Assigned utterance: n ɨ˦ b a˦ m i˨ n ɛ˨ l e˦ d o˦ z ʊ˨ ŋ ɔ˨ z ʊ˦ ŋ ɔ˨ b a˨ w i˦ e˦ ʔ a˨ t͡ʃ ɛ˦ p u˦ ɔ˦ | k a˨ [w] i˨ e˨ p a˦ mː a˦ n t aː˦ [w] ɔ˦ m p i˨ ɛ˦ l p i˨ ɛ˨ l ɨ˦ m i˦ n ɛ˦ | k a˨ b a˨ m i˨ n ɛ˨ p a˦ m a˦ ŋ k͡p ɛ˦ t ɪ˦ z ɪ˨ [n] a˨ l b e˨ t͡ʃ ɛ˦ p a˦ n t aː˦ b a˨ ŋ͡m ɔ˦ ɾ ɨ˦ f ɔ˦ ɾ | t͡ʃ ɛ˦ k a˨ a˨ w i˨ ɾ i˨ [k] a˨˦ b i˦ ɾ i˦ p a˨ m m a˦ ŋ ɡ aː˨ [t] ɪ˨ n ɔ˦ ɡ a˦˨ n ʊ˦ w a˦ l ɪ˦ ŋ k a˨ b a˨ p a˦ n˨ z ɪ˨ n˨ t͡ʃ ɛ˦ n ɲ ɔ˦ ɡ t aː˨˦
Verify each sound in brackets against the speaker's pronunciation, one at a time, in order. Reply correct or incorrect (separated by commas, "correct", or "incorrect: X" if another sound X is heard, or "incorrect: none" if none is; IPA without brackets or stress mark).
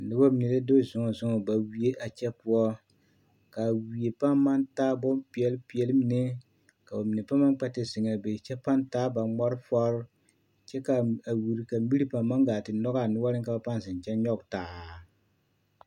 correct, incorrect: b, incorrect: ŋ, correct, correct